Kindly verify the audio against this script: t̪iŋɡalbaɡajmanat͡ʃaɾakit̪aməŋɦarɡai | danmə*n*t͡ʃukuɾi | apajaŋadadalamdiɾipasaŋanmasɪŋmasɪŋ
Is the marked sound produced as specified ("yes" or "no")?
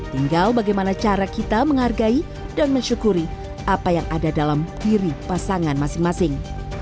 no